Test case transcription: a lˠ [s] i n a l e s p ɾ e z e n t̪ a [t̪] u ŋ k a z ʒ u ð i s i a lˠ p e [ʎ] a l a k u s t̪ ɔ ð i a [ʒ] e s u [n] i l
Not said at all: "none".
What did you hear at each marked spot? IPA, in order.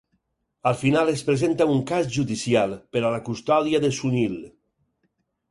f, none, ɾ, ð, n

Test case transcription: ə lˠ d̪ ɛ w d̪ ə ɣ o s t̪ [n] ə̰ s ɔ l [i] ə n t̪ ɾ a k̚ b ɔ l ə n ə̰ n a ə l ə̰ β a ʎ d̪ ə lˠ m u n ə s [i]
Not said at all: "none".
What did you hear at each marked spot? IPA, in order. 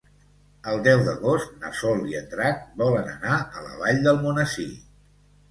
n, i, i

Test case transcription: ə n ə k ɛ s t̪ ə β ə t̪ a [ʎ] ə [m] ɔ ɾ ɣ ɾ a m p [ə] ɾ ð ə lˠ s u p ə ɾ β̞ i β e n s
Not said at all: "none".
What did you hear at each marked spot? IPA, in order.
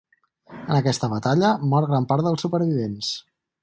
ʎ, m, a

